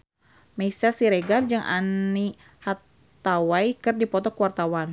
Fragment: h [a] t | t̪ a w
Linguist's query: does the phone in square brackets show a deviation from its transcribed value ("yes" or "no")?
no